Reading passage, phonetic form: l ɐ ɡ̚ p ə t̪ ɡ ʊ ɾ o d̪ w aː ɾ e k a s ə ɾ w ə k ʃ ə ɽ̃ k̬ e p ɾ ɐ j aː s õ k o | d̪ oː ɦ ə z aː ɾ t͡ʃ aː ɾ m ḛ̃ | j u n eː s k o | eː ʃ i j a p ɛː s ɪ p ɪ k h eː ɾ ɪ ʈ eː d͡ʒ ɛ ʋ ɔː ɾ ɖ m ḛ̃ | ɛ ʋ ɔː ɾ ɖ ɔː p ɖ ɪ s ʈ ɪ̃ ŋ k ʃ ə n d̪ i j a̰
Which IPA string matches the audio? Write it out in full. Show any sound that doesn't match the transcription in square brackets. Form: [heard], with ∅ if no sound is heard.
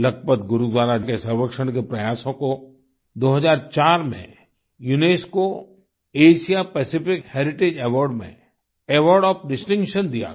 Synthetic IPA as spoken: l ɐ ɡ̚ p ə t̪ ɡ ʊ ɾ [u] d̪ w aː ɾ [a] k [e] s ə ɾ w ə k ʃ ə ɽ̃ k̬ e p ɾ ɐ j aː s õ k o | d̪ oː ɦ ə z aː ɾ t͡ʃ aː ɾ m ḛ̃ | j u n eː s k o | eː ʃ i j a p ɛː s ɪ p ɪ k h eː ɾ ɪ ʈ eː d͡ʒ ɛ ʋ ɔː ɾ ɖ m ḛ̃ | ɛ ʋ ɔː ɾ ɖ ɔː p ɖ ɪ s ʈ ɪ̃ ŋ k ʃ ə n d̪ i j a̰